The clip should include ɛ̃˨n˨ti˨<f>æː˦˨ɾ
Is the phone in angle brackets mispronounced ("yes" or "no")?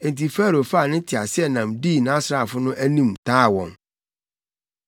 no